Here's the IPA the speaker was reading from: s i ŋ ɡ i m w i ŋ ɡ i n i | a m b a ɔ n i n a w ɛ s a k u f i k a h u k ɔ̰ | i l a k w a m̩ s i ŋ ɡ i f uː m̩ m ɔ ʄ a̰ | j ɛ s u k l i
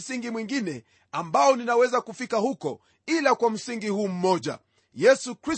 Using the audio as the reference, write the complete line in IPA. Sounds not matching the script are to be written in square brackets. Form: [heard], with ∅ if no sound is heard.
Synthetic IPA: s i ŋ ɡ i m w i ŋ ɡ i n [ɛ] | a m b a ɔ n i n a w ɛ [z] a k u f i k a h u k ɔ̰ | i l a k w a m̩ s i ŋ ɡ i [h] uː m̩ m ɔ ʄ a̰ | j ɛ s u k [ɾ] i